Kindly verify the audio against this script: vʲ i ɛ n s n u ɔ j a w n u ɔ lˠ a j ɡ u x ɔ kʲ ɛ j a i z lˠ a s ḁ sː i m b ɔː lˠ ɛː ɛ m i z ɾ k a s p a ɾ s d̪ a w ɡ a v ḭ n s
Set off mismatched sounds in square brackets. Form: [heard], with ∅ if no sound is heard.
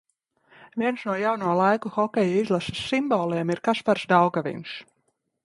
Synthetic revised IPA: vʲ i ɛ n s n u ɔ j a w n u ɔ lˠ a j [k] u x ɔ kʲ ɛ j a i z lˠ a s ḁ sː i m b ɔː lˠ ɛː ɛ m i [∅] ɾ k a s p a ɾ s d̪ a w ɡ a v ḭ n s